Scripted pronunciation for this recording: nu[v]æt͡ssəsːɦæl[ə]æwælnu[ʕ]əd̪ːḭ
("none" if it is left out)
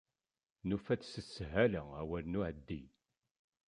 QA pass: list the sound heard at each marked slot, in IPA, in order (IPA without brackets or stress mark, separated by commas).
f, ə, ʕ